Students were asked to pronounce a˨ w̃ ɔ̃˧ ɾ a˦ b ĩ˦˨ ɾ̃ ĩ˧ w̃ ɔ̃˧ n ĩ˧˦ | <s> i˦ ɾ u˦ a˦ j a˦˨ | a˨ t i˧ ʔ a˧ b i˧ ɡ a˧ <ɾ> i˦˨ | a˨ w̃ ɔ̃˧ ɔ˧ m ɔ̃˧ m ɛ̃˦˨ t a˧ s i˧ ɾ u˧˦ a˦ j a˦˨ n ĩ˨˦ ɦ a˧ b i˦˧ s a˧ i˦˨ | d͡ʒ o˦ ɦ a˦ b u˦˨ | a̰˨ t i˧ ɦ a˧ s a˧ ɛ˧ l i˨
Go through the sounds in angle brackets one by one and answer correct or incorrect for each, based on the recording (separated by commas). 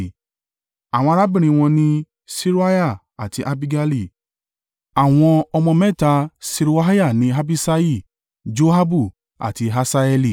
correct, incorrect